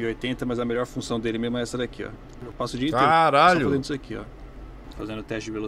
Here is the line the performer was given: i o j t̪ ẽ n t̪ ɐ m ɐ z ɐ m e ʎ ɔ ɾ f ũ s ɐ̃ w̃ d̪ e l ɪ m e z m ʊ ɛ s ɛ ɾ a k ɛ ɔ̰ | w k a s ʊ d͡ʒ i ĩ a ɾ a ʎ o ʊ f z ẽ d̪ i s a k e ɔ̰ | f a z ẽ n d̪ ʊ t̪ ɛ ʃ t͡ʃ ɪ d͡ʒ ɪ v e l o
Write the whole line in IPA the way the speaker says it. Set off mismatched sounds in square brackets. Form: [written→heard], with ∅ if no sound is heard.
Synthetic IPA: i o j t̪ ẽ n t̪ ɐ m ɐ z ɐ m e ʎ ɔ ɾ f ũ s ɐ̃ w̃ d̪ e l ɪ m e z m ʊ ɛ s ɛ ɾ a k [ɛ→i] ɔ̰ | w [k→p] a s ʊ d͡ʒ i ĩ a ɾ a ʎ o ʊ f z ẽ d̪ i s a k [e→i] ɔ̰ | f a z ẽ n d̪ ʊ t̪ ɛ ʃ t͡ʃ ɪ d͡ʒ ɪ v e l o